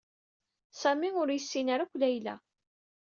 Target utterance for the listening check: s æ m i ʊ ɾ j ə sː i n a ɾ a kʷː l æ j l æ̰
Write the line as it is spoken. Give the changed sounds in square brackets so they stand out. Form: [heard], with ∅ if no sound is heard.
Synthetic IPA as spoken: s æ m i ʊ ɾ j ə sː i n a ɾ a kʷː l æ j l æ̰